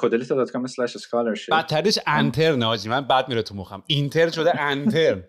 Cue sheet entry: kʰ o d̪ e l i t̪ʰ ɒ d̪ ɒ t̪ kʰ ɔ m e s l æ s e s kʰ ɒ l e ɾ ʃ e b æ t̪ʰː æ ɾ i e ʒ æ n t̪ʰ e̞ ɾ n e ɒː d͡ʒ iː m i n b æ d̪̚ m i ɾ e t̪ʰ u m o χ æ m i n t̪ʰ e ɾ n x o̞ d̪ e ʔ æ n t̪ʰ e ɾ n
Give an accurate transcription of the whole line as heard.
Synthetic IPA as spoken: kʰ o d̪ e l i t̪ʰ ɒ d̪ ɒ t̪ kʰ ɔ m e s l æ ʃ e s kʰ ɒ l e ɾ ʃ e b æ t̪ʰː æ ɾ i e ʃ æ n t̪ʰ e̞ ɾ n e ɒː d͡ʒ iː m æ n b æ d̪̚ m i ɾ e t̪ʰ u m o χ æ m i n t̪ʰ e ɾ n ʃ o̞ d̪ e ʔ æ n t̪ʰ e ɾ n